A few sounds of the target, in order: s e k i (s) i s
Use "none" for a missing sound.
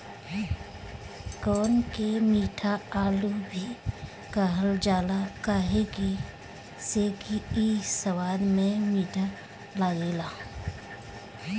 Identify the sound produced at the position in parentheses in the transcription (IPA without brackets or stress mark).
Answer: none